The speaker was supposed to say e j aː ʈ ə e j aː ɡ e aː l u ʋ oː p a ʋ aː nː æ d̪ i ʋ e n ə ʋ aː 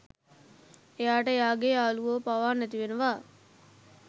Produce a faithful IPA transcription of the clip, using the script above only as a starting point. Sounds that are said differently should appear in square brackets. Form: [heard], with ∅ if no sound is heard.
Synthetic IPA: e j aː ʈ ə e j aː ɡ e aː l u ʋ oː p a ʋ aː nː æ [t̪] i ʋ e n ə ʋ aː